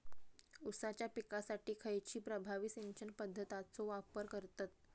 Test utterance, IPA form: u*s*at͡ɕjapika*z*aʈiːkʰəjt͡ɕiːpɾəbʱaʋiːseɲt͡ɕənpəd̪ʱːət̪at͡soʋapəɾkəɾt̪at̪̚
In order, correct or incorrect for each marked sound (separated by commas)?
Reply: correct, incorrect